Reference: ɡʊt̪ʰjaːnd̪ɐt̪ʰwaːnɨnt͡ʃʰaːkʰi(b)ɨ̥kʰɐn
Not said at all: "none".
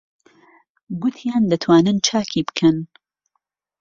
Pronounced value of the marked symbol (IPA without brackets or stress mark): b